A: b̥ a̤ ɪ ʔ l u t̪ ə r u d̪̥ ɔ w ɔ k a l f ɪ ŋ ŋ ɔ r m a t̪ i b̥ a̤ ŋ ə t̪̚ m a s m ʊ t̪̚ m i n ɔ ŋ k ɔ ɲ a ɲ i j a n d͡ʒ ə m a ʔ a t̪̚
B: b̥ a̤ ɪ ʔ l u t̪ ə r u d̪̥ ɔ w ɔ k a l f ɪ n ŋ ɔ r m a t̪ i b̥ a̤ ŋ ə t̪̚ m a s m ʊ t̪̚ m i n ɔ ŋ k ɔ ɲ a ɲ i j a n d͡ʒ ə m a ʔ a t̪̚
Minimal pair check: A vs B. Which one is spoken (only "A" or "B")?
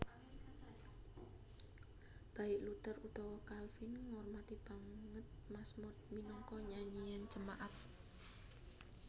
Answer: B